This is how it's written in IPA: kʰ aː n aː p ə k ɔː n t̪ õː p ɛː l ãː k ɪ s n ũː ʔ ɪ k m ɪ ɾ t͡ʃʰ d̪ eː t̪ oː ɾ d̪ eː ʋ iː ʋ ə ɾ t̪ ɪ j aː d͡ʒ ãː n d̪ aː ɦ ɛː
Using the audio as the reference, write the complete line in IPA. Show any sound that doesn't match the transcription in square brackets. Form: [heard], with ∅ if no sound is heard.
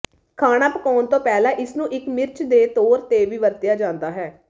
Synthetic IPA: kʰ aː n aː p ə k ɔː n t̪ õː p ɛː l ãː [ʔ] ɪ s n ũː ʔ ɪ k m ɪ ɾ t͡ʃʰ d̪ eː t̪ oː ɾ [t̪] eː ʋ iː ʋ ə ɾ t̪ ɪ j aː d͡ʒ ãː n d̪ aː ɦ ɛː

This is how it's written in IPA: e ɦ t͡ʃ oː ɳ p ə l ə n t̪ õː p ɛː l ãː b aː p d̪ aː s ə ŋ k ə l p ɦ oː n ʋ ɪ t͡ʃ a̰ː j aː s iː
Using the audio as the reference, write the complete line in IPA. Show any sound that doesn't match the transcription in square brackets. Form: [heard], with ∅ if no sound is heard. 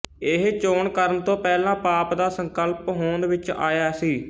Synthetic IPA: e ɦ t͡ʃ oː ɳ [k] ə [ɾ] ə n t̪ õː p ɛː l ãː [p] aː p d̪ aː s ə ŋ k ə l p ɦ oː n ʋ ɪ t͡ʃ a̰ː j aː s iː

